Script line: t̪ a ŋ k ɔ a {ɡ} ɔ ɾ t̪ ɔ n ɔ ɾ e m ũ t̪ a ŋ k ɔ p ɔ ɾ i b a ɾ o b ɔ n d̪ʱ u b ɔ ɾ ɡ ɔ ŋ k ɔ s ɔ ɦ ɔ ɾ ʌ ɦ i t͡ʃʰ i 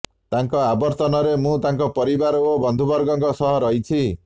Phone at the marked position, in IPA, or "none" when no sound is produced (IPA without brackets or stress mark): b